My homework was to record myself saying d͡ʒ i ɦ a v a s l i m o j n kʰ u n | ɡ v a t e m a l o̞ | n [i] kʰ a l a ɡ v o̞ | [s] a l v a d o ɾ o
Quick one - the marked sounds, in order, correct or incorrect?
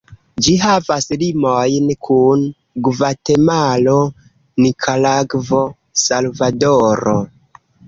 correct, correct

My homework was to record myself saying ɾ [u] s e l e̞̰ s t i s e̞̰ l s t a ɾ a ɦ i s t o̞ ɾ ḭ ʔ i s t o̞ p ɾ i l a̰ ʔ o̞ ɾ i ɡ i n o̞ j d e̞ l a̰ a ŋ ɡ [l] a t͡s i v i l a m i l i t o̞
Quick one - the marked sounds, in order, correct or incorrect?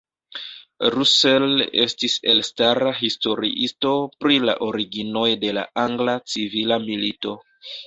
correct, correct

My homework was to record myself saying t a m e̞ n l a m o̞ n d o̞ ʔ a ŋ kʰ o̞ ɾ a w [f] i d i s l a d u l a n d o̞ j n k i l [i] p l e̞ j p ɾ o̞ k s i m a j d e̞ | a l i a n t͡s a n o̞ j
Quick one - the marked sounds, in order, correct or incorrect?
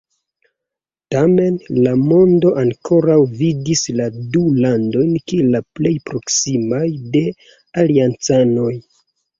incorrect, incorrect

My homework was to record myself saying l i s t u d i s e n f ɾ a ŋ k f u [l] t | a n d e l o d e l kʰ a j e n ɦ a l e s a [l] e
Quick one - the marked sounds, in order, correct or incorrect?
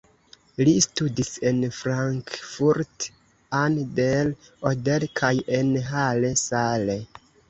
incorrect, correct

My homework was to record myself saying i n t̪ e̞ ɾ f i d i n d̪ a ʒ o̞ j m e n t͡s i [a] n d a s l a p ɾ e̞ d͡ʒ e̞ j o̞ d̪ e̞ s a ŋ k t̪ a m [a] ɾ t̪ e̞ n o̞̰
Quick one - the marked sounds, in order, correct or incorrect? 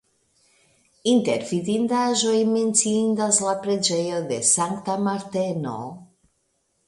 incorrect, correct

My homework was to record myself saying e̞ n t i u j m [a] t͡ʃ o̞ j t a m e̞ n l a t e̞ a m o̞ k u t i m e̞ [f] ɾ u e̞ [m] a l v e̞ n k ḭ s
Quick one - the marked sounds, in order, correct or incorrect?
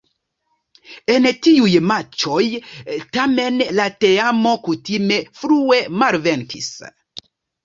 correct, correct, correct

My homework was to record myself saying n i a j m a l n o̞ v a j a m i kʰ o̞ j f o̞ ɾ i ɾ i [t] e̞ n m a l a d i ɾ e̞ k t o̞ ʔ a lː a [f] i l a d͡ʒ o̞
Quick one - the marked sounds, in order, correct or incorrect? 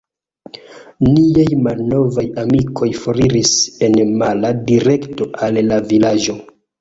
incorrect, incorrect

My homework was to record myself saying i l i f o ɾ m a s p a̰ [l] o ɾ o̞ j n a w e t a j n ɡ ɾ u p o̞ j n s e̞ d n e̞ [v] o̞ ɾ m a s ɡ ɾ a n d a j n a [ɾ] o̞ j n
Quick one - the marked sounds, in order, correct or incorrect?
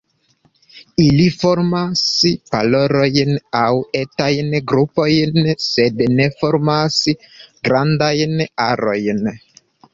correct, incorrect, correct

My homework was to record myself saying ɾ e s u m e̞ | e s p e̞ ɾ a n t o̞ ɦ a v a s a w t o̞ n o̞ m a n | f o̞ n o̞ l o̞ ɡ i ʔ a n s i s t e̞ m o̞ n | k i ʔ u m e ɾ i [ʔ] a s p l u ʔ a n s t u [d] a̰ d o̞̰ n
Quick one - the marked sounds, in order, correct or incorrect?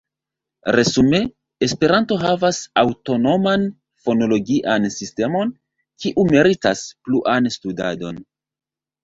incorrect, correct

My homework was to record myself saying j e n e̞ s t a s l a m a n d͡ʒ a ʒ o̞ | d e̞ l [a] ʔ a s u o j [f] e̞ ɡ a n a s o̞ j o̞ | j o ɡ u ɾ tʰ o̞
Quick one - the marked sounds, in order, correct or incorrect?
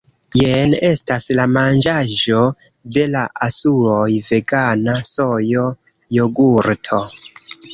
correct, incorrect

